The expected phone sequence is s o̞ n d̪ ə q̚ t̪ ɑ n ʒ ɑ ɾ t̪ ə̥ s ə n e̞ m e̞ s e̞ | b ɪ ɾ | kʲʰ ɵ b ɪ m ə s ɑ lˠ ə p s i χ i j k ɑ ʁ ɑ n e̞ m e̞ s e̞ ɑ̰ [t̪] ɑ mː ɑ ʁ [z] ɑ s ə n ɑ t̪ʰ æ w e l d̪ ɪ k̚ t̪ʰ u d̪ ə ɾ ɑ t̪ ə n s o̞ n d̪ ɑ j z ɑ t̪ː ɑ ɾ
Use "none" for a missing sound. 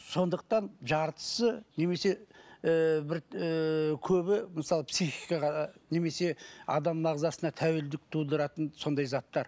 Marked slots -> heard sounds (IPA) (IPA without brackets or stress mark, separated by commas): d̪, z